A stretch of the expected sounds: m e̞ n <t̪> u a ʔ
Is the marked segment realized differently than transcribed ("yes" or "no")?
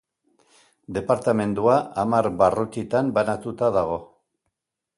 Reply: yes